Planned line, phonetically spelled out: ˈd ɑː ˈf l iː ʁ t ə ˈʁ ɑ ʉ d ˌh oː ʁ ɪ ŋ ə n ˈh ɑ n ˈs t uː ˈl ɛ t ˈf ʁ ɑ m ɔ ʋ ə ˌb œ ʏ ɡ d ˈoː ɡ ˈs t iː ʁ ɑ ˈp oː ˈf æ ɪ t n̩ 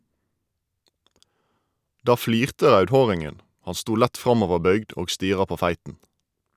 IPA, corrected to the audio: ˈd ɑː ˈf l iː ʁ t ə ˈʁ ɑ ʉ d ˌh oː ʁ ɪ ŋ ə n ˈh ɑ n ˈs t uː ˈl æ t ˈf ʁ ɑ m ɔ ʋ ə ˌb œ ʏ ɡ d ˈoː ɡ ˈs t iː ʁ ɑ ˈp oː ˈf æ ɪ t n̩

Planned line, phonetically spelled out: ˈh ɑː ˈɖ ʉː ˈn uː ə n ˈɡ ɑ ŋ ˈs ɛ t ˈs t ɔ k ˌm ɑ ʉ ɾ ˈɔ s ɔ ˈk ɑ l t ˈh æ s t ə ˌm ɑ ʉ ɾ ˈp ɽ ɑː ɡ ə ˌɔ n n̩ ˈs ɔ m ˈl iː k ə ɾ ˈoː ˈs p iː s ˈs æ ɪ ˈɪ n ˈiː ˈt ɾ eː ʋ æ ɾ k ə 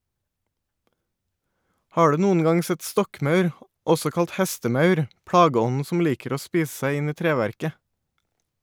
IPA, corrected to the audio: ˈh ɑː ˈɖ ʉː ˈn uː ə n ˈɡ ɑ ŋ ˈs ɛ t ˈs t ɔ k ˌm ɑ ʉ ɾ ˈɔ s ɔ ˈk ɑ l t ˈh ɛ s t ə ˌm ɑ ʉ ɾ ˈp ɽ ɑː ɡ ə ˌɔ n n̩ ˈs ɔ m ˈl iː k ə ɾ ˈoː ˈs p iː s ˈs æ ɪ ˈɪ n ˈiː ˈt ɾ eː ʋ æ ɾ k ə

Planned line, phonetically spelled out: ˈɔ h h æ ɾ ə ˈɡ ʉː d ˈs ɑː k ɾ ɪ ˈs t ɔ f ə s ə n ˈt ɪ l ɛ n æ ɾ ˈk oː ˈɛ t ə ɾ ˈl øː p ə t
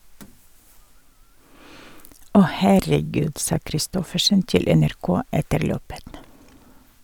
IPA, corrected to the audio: ˈɔ h h æ ɾ ə ˈɡ ʉː d ˈs ɑː k ɾ ɪ ˈs t ɔ f ə ʃ ə n ˈt ɪ l ɛ n æ ɾ ˈk oː ˈɛ t ə ɾ ˈl øː p ə t

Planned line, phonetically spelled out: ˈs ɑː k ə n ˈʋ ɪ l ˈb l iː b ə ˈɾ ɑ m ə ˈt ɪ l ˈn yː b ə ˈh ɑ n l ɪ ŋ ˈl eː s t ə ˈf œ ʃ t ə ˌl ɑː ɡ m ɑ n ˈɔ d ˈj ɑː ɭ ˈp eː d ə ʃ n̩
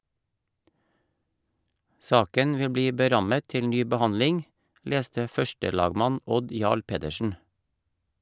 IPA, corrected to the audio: ˈs ɑː k ə n ˈʋ ɪ l ˈb l iː b ə ˈɾ ɑ m ə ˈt ɪ l ˈn yː b ə ˈh ɑ n l ɪ ŋ ˈl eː s t ə ˈf œ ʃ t ə ˌl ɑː ɡ m ɑ n ˈɔ d ˈj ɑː ɭ ˈp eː d ə ʃ n̩

